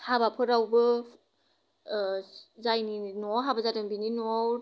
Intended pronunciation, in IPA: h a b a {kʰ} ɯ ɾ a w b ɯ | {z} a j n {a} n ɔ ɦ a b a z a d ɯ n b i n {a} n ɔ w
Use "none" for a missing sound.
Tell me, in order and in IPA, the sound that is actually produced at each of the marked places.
pʰ, z, i, i

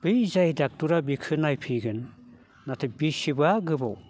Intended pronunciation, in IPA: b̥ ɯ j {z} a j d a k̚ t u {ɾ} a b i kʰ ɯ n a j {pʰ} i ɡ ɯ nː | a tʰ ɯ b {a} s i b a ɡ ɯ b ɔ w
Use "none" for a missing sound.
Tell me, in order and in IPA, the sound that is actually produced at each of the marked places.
z, ɾ, pʰ, i

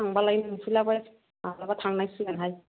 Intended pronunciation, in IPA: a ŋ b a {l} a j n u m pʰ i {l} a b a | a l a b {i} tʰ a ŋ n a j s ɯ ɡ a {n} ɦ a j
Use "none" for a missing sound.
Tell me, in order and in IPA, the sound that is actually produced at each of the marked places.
l, l, a, n

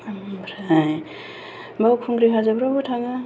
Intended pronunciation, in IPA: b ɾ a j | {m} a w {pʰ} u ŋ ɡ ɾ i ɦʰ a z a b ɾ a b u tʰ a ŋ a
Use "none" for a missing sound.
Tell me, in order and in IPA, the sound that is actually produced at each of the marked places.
b, kʰ

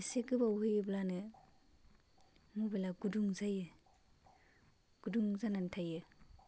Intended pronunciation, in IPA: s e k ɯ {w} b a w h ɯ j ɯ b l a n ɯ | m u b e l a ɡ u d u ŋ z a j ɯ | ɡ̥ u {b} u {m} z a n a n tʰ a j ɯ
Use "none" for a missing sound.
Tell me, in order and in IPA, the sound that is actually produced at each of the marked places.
none, d, ŋ

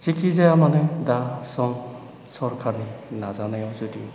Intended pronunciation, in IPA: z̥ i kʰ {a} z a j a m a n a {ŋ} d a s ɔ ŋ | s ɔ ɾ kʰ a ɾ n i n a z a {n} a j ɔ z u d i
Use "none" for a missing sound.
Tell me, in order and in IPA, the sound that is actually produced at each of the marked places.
i, none, n

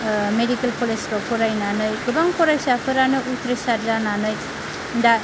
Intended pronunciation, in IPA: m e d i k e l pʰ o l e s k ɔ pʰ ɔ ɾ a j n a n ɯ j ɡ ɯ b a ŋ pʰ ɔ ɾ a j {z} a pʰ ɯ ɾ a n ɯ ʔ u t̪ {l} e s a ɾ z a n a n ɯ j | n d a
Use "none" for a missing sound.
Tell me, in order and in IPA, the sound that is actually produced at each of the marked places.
s, ɾ

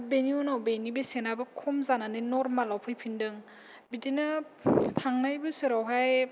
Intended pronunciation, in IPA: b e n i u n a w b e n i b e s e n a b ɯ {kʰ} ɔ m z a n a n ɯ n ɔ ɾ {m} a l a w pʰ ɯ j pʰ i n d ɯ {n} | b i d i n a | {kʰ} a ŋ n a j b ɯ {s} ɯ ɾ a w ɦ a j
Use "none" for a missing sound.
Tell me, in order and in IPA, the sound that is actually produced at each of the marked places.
kʰ, m, ŋ, tʰ, s

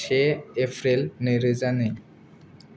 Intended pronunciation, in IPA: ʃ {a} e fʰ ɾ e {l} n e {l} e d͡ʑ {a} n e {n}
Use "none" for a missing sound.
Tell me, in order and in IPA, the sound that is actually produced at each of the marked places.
e, l, ɾ, a, none

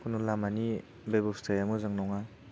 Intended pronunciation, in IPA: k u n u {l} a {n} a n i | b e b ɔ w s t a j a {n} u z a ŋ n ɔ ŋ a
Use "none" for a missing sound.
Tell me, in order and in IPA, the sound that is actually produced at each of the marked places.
l, m, m

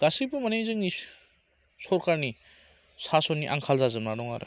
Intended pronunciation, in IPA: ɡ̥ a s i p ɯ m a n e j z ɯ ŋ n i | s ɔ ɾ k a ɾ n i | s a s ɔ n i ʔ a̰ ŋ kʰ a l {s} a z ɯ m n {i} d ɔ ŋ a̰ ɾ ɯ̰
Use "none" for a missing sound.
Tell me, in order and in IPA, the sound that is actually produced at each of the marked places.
z, a

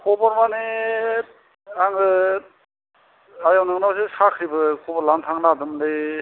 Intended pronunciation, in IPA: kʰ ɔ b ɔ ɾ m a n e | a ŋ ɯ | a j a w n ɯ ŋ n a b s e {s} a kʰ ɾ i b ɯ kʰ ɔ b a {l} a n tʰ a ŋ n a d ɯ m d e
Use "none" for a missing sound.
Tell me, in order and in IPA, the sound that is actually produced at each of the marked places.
s, l

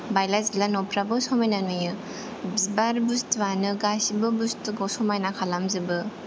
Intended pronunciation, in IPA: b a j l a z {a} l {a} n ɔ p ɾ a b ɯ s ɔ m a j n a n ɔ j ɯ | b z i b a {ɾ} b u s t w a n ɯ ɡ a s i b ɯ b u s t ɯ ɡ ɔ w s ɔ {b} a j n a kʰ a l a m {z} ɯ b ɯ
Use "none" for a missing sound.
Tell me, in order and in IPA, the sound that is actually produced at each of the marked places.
i, a, ɾ, m, z

